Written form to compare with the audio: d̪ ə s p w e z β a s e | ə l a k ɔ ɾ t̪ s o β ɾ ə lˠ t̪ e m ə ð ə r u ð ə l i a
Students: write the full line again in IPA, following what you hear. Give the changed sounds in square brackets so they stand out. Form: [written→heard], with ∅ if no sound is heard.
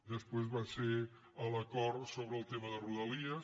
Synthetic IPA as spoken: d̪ ə s p w e z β a s e | ə l [a→ə] k ɔ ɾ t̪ s o β ɾ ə lˠ t̪ e m ə ð ə r u ð ə l i [a→ə]